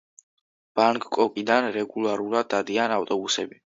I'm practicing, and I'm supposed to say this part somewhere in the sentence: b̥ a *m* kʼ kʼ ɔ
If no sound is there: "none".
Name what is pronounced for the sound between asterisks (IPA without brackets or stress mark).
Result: ŋ